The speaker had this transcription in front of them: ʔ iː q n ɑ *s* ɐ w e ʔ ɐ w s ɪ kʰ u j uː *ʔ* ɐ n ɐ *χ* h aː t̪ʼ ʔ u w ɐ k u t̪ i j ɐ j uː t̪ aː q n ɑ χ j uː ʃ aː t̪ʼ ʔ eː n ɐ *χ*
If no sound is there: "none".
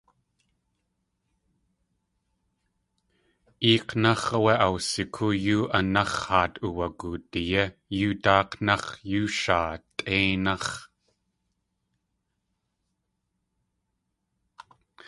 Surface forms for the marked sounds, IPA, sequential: χ, ʔ, χ, χ

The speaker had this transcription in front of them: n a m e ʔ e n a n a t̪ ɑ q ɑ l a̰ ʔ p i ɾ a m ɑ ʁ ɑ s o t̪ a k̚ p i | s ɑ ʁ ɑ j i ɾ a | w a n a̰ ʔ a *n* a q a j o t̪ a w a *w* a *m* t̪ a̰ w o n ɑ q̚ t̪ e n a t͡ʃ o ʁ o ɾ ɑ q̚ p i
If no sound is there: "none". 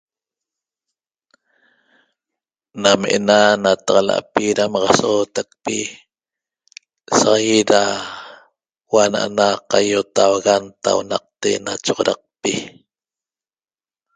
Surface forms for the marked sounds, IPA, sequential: n, ɣ, n

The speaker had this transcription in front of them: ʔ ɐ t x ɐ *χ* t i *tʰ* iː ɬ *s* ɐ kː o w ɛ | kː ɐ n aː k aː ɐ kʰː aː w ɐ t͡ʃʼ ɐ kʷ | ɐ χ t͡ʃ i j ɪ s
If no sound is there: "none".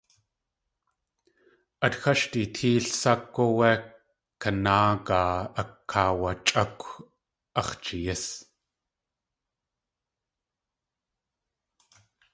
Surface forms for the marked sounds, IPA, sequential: ʃ, tʰ, s

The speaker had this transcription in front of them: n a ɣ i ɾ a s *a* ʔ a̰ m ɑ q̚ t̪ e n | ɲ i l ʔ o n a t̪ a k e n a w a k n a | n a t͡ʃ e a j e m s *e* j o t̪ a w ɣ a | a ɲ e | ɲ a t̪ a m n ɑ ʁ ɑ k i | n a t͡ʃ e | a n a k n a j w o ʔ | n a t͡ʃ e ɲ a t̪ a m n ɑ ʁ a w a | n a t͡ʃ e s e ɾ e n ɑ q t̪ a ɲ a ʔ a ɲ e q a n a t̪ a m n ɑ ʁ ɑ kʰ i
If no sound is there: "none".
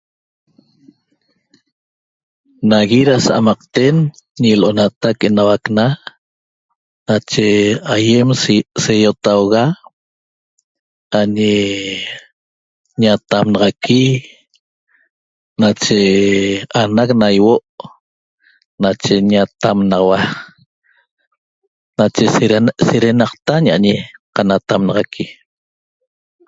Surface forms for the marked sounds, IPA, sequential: a, e

